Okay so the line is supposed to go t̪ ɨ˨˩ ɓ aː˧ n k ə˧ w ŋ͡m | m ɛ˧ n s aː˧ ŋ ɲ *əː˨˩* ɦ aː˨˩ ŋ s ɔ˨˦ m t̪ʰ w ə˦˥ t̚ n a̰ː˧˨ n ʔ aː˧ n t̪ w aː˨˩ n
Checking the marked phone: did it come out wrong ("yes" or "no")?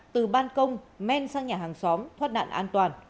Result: yes